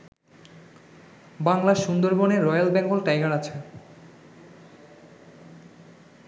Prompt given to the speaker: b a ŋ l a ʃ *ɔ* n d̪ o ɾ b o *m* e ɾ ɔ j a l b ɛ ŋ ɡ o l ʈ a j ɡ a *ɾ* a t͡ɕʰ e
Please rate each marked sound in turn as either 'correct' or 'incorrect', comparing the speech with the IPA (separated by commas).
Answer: incorrect, incorrect, correct